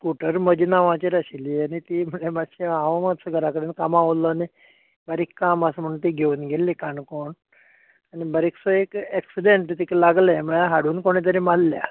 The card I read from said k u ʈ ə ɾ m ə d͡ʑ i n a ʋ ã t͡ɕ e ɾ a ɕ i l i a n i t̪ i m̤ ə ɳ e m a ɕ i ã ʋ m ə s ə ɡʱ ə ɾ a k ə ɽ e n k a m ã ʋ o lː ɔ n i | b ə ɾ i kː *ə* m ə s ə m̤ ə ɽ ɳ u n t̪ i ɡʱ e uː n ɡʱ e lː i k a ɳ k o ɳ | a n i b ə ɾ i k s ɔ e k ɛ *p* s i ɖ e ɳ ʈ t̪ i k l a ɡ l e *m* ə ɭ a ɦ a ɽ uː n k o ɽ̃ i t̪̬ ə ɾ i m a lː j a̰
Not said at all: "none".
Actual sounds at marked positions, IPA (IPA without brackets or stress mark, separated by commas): a, k, m